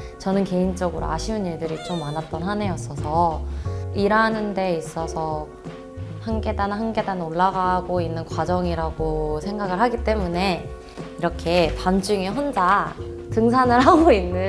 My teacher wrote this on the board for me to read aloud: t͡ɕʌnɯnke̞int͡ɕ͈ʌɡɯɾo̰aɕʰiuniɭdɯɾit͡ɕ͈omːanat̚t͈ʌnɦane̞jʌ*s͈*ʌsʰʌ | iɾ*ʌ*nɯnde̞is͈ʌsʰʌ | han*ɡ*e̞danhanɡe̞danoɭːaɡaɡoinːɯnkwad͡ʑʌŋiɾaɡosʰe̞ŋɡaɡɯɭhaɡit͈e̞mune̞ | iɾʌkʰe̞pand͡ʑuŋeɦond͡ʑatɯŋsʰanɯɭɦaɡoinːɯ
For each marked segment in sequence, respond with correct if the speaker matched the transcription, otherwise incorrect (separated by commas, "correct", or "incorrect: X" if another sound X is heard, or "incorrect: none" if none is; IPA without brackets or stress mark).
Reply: correct, incorrect: a, correct